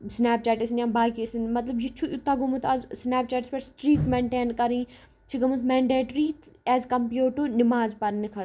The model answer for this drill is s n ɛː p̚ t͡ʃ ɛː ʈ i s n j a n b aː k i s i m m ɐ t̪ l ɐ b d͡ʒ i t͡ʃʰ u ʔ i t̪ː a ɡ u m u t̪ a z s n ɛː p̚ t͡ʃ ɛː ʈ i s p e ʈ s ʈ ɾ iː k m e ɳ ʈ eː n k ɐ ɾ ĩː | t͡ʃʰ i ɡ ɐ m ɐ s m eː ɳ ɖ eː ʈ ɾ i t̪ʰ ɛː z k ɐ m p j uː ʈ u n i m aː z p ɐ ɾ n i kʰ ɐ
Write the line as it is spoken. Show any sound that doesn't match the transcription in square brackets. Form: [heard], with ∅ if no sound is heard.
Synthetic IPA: s n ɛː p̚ t͡ʃ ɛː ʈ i s n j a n b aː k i s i [n] m ɐ t̪ l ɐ b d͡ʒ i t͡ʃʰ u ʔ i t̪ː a ɡ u m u t̪ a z s n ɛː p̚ t͡ʃ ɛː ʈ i s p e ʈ s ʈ ɾ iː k m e ɳ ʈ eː n k ɐ ɾ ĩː | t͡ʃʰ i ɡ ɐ m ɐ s m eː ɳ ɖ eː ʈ ɾ i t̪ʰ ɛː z k ɐ m p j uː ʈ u n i m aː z p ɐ ɾ n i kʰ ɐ